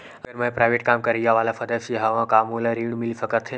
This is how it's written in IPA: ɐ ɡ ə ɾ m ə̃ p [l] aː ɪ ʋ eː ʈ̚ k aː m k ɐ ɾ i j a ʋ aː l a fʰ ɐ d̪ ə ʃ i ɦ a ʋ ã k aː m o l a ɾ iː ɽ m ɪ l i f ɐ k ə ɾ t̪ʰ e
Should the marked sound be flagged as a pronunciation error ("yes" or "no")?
yes